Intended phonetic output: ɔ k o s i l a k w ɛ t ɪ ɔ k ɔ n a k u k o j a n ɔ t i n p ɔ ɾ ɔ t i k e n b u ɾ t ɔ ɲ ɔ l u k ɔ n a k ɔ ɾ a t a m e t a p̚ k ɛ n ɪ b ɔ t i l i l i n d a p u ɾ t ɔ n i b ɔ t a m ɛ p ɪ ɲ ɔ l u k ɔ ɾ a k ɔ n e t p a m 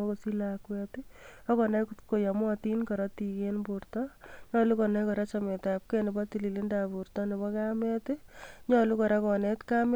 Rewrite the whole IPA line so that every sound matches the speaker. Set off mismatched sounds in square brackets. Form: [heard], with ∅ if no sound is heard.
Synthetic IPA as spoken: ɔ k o s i l a k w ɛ t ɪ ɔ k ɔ n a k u k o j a [m] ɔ t i n [k] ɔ ɾ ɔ t i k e n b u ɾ t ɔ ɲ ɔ l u k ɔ n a k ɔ ɾ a [t͡ʃ] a m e t a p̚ k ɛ n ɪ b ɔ t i l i l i n d a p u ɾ t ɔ n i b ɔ [k] a m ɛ [t] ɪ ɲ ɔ l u k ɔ ɾ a k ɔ n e t [k] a m